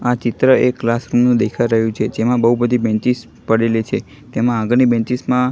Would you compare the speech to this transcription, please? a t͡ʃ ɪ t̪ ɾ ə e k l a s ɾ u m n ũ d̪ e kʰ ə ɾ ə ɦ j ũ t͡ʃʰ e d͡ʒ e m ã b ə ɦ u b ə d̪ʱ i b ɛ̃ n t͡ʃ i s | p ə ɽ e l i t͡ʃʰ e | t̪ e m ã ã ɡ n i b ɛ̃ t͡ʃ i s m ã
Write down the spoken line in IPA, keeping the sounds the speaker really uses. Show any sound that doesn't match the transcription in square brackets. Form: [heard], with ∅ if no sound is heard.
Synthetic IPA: a t͡ʃ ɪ t̪ ɾ ə e k l a s ɾ u m n ũ d̪ e kʰ [a] ɾ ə ɦ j ũ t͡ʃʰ e d͡ʒ e m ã b ə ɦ u b ə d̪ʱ i b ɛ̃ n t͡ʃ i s | p ə ɽ e l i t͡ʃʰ e | t̪ e m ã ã ɡ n i b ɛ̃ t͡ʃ i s m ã